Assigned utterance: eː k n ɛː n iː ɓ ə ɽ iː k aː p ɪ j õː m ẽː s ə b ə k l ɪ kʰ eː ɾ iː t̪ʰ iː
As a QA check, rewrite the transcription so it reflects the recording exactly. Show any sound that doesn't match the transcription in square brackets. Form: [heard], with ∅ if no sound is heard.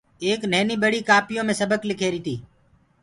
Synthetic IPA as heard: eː k n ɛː n iː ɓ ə ɽ iː k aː p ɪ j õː m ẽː s ə b ə k l ɪ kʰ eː ɾ iː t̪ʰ iː